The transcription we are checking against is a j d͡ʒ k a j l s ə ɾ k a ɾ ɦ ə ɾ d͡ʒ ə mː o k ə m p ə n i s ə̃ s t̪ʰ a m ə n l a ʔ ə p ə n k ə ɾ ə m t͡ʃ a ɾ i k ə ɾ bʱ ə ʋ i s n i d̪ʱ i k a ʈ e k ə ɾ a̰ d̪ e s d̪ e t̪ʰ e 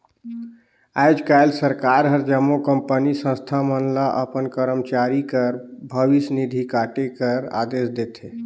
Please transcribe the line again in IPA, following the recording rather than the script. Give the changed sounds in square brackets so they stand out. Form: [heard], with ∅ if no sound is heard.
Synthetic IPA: a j d͡ʒ k a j l s ə ɾ k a ɾ ɦ ə ɾ d͡ʒ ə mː o k ə m p ə n i s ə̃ s t̪ʰ a m ə n l a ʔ ə p ə n k ə ɾ ə m t͡ʃ a ɾ i k ə ɾ bʱ ə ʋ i s n i d̪ʱ i k a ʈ e k ə ɾ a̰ d̪ e s d̪ e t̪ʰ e